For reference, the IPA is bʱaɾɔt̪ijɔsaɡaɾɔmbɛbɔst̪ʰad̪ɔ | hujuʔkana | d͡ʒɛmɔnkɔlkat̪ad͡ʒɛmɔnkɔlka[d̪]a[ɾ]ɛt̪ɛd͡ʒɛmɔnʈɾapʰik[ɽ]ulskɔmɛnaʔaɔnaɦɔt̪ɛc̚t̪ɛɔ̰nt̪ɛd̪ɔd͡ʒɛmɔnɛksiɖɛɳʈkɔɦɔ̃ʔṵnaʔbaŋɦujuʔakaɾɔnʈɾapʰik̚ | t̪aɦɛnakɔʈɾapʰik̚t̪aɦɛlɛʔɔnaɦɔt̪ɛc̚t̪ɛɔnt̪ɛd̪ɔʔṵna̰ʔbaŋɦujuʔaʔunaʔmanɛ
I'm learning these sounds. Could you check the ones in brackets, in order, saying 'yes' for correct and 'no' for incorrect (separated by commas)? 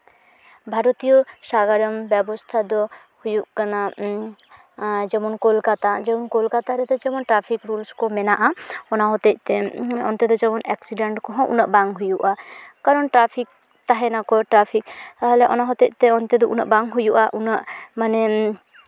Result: no, yes, no